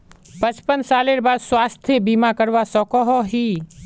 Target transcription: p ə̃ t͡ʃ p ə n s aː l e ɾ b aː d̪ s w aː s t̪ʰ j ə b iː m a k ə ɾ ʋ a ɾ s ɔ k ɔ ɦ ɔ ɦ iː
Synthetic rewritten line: p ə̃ t͡ʃ p ə n s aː l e ɾ b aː d̪ s w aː s t̪ʰ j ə b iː m a k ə ɾ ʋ a s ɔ k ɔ ɦ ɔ ɦ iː